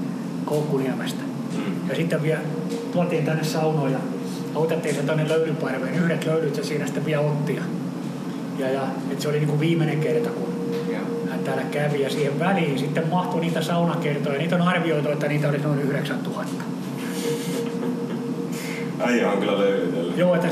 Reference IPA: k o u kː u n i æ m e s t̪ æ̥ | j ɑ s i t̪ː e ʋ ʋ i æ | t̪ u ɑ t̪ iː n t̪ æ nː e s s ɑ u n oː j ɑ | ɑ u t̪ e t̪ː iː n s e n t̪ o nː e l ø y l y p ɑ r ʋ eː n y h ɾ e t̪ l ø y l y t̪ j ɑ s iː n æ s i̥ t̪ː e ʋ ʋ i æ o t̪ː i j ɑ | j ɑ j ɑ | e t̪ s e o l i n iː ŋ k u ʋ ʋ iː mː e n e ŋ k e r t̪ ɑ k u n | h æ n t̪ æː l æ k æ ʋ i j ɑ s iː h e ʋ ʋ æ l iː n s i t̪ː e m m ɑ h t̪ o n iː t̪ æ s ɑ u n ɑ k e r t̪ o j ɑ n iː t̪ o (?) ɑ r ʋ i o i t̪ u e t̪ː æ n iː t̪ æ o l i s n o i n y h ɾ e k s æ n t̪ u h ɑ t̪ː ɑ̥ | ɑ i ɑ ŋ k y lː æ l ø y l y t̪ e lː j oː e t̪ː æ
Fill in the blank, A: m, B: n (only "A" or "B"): B